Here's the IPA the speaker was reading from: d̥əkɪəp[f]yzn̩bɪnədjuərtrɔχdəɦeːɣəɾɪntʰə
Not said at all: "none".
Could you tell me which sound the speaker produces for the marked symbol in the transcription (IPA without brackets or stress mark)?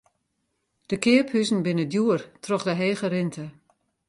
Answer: h